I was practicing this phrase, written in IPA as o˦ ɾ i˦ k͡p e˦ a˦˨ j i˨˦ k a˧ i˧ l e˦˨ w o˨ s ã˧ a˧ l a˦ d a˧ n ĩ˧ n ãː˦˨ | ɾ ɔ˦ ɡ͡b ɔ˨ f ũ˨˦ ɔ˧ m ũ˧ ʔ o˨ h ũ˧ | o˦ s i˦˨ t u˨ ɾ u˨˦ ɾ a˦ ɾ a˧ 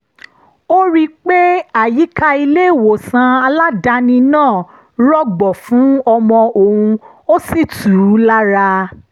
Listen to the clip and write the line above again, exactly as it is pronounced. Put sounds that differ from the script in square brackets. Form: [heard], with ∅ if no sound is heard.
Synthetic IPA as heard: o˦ ɾ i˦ k͡p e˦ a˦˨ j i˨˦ k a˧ i˧ l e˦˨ w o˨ s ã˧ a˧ l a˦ d a˧ n ĩ˧ n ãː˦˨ | ɾ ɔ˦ ɡ͡b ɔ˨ f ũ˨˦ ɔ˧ m [ɔ̃˧] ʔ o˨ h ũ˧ | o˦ s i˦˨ t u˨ ɾ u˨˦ [l] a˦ ɾ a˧

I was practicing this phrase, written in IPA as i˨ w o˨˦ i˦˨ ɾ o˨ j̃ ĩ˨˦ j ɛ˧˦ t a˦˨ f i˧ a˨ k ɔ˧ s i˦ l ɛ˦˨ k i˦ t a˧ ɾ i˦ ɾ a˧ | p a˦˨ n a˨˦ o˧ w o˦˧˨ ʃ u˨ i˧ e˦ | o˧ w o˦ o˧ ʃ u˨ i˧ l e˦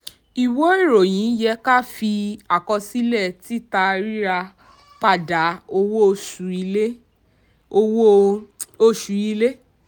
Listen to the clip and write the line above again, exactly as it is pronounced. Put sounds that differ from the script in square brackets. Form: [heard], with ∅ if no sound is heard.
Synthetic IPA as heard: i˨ w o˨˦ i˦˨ ɾ o˨ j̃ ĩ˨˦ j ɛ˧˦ [k] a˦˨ f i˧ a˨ k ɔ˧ s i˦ l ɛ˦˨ [t] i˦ t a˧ ɾ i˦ ɾ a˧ | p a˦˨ [d] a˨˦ o˧ w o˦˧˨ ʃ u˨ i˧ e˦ | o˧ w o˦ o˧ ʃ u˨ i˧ l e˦

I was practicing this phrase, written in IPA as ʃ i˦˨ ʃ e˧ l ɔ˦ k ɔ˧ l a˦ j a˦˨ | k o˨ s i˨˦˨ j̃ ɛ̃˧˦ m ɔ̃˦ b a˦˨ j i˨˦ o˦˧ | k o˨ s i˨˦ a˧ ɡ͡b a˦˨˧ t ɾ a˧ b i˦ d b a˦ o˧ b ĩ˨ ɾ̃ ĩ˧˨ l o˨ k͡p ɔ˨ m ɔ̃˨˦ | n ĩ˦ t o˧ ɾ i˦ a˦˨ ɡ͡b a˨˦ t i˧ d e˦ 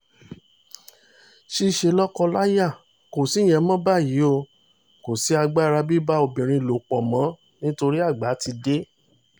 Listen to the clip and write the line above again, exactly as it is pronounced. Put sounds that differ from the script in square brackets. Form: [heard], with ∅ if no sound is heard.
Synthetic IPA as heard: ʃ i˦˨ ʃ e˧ l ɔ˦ k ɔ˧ l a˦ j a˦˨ | k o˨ s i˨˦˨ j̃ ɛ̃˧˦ m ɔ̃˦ b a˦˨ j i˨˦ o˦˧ | k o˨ s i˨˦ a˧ ɡ͡b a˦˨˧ [∅] ɾ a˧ b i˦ [∅] b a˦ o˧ b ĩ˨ ɾ̃ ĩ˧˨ l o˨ k͡p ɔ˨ m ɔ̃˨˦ | n ĩ˦ t o˧ ɾ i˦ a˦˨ ɡ͡b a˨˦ t i˧ d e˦

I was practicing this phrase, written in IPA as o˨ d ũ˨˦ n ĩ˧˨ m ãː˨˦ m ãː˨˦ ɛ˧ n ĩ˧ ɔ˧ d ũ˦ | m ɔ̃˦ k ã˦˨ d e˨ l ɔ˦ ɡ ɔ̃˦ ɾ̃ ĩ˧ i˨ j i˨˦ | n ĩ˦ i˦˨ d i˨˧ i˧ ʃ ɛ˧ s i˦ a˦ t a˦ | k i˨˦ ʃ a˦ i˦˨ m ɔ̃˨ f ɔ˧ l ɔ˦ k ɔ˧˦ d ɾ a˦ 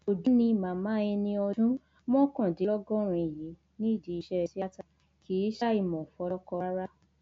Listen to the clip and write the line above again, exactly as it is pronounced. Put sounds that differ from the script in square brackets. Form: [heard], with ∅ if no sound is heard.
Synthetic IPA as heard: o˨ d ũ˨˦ n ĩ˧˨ m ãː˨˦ m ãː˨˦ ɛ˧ n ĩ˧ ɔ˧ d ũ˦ | m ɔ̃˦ k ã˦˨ d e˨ l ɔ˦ ɡ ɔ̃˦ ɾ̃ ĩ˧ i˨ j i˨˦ | n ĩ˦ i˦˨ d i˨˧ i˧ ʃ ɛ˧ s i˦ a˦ t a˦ | k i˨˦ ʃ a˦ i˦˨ m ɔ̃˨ f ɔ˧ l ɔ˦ k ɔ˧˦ [∅] ɾ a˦

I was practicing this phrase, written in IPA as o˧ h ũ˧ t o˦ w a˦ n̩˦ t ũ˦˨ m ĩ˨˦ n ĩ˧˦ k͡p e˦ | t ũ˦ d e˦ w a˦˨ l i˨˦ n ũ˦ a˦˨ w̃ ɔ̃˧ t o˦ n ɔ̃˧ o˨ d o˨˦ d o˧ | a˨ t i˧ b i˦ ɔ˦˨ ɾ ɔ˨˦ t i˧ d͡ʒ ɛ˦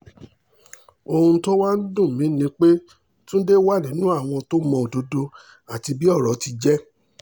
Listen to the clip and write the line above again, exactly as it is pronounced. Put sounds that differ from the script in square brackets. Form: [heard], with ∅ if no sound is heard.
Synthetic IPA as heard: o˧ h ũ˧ t o˦ w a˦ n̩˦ [d] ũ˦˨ m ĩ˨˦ n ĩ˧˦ k͡p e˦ | t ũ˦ d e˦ w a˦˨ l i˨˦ n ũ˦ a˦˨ w̃ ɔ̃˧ t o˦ [m] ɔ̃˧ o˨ d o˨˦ d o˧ | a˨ t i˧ b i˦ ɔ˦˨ ɾ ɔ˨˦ t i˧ d͡ʒ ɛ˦

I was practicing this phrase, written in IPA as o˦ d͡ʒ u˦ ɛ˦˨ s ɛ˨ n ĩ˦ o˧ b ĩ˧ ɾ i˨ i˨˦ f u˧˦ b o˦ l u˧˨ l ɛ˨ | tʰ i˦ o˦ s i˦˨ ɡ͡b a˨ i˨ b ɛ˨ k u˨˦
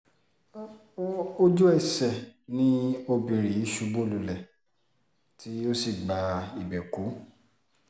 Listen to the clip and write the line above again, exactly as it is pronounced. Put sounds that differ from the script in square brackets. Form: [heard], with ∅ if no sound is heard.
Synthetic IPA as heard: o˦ d͡ʒ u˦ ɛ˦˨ s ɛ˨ n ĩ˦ o˧ b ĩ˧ ɾ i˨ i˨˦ [ʃ] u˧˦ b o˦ l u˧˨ l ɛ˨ | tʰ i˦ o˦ s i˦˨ ɡ͡b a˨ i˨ b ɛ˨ k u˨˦

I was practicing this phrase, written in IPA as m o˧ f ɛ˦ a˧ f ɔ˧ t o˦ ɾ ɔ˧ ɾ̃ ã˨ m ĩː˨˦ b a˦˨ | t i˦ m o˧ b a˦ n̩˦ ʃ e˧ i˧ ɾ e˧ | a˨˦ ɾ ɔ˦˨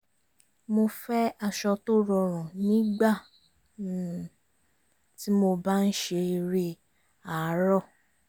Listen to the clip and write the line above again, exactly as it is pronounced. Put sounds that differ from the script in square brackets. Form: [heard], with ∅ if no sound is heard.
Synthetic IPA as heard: m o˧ f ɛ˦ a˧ [ʃ] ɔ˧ t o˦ ɾ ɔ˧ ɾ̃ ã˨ [n] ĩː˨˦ [ɡ͡b] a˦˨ | t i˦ m o˧ b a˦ n̩˦ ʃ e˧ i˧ ɾ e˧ | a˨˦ ɾ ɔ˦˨

